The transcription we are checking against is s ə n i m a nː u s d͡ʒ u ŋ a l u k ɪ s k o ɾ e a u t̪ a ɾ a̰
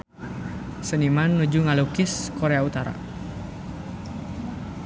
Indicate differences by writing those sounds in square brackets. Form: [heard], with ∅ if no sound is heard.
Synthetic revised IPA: s ə n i m a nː u [∅] d͡ʒ u ŋ a l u k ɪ s k o ɾ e a u t̪ a ɾ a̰